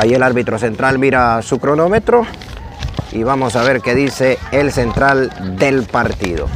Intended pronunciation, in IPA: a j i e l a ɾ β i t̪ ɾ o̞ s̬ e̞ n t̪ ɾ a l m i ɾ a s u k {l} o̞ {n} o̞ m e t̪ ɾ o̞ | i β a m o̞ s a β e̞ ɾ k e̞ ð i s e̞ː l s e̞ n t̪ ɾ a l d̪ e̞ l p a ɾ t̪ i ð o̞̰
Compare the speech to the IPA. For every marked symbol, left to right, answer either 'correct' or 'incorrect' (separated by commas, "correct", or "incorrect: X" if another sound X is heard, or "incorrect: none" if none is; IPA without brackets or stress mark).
incorrect: ɾ, correct